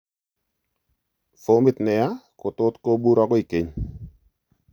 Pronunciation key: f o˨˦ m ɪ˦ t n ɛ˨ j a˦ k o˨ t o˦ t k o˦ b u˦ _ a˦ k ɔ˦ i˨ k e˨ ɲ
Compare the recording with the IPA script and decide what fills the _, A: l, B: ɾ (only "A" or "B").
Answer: B